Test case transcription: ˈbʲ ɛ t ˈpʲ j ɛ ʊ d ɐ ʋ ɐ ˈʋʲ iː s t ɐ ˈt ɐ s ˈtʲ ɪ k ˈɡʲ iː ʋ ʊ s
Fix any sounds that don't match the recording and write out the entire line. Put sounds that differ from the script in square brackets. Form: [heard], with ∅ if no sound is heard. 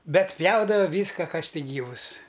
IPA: ˈbʲ ɛ t ˈpʲ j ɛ ʊ d ɐ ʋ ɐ ˈʋʲ iː s [k] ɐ [ˈk] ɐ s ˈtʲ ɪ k ˈɡʲ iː ʋ ʊ s